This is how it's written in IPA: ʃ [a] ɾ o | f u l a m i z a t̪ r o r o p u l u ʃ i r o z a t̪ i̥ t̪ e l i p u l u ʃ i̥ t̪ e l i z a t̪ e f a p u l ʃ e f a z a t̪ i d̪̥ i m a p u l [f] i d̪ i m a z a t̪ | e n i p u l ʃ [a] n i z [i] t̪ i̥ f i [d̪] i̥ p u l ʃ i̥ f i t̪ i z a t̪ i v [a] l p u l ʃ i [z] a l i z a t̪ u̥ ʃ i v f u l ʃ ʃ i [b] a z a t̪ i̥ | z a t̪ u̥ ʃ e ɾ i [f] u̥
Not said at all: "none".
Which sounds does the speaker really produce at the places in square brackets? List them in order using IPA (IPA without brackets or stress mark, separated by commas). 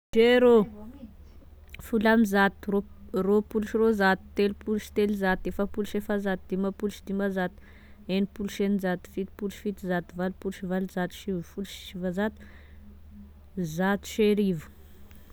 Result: e, ʃ, e, a, t̪, a, v, v, v